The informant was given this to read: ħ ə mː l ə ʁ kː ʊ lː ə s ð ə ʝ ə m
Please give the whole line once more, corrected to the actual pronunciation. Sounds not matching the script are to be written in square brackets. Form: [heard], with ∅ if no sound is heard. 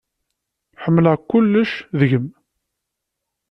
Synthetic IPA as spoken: ħ ə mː l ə ʁ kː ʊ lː ə [ʃ] ð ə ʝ ə m